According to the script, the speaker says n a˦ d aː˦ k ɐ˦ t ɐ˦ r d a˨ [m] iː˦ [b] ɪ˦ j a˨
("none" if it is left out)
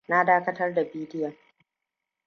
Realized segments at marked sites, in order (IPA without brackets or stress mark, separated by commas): b, d